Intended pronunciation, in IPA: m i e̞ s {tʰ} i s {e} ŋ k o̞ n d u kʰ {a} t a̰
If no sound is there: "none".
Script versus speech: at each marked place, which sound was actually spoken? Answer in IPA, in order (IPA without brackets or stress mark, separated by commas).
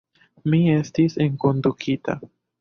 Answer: t, e, i